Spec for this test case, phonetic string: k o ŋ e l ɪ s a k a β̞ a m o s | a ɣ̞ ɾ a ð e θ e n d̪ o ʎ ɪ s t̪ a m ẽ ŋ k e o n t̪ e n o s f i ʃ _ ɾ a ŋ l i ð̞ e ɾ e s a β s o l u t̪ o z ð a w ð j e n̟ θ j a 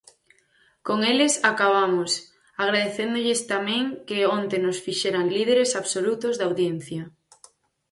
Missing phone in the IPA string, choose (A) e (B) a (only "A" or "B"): A